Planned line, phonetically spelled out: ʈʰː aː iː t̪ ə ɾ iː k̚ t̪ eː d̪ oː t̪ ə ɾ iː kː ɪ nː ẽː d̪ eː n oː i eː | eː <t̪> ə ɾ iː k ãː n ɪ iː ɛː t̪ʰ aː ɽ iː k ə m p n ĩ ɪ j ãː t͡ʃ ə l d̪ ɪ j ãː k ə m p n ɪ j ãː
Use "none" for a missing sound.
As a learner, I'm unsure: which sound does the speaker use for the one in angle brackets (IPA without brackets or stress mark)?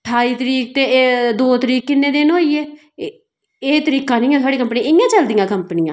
t̪